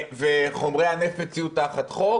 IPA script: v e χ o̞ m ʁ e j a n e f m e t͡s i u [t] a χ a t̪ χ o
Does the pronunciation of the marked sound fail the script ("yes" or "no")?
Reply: no